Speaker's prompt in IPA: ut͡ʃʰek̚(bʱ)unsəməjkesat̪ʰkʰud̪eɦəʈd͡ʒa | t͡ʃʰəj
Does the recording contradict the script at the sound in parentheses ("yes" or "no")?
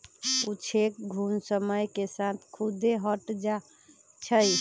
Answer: yes